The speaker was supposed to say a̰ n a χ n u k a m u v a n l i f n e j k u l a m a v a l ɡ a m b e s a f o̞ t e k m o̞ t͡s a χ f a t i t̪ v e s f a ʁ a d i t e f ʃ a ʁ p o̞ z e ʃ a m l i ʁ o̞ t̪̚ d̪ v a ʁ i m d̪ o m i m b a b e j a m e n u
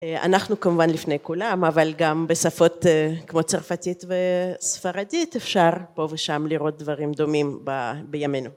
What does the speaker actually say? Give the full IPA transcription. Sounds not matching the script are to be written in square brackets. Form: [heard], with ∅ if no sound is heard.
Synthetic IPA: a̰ n a χ n u k a m u v a n l i f n e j k u l a m a v a l ɡ a m b e s a f o̞ t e k m o̞ t͡s a [ʁ] f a t i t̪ v e s f a ʁ a d i t e f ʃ a ʁ p o̞ [v] e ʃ a m l i ʁ o̞ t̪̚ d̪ v a ʁ i m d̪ o m i m b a b e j a m e n u